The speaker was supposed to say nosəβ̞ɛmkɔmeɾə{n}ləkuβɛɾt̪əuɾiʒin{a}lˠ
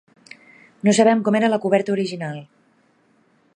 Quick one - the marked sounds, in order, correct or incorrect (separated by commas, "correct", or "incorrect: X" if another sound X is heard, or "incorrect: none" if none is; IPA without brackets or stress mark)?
incorrect: none, correct